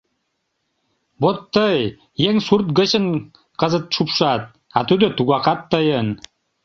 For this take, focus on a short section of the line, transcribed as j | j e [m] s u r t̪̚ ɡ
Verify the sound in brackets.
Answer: incorrect: ŋ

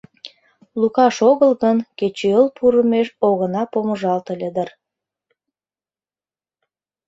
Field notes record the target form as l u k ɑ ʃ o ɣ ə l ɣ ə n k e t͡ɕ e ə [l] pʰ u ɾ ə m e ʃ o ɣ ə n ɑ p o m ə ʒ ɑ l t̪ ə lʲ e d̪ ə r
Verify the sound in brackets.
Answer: correct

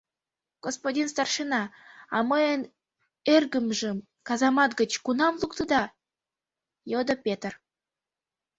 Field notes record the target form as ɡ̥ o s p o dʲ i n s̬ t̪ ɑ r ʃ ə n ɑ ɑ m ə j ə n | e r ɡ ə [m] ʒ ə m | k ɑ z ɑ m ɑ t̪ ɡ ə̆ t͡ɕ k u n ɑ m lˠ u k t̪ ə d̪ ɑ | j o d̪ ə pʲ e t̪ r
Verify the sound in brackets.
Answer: correct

